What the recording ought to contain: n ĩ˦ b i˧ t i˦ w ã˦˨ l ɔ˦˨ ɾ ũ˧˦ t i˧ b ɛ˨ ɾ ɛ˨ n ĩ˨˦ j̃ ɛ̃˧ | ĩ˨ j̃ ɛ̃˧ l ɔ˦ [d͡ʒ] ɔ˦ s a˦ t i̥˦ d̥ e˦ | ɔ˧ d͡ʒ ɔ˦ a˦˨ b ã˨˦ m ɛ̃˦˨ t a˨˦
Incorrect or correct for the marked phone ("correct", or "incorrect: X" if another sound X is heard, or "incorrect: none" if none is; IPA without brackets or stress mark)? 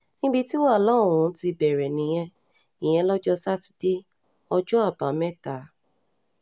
correct